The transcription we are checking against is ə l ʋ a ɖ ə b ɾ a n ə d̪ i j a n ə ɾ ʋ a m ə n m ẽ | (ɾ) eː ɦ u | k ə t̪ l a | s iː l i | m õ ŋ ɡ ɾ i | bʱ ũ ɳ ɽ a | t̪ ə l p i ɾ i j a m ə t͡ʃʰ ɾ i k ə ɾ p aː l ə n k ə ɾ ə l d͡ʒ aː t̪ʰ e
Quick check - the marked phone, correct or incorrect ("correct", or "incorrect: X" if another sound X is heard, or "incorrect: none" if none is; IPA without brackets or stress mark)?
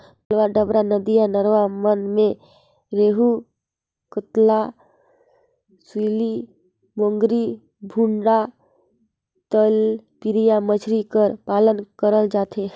correct